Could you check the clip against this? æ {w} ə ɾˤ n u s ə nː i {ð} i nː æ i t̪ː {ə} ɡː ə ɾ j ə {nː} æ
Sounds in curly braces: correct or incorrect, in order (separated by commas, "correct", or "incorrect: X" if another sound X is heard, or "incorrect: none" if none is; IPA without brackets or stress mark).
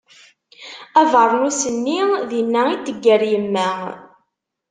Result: incorrect: v, correct, correct, incorrect: mː